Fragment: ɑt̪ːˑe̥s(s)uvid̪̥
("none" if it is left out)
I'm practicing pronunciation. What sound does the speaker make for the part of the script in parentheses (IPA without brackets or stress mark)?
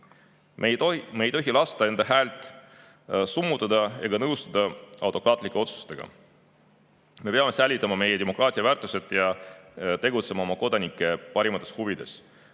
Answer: h